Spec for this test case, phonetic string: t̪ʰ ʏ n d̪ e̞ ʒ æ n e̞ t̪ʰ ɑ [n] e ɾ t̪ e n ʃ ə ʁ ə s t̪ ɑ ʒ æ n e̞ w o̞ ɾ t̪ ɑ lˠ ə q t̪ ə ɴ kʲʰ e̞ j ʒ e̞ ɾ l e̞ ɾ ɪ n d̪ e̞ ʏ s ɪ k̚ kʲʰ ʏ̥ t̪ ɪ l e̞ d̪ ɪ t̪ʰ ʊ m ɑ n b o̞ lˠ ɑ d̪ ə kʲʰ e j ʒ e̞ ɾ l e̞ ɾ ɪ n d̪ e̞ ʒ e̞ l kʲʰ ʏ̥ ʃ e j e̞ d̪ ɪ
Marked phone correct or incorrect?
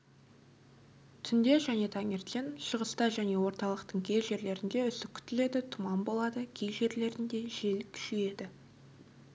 incorrect: ŋ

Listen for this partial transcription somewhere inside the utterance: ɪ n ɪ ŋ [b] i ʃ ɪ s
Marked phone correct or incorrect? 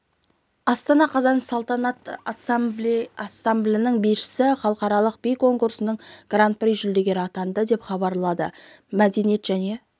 correct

